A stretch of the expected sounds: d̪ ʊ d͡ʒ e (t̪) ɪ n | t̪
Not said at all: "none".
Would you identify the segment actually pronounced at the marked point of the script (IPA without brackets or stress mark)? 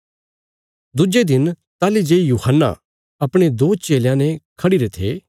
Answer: d̪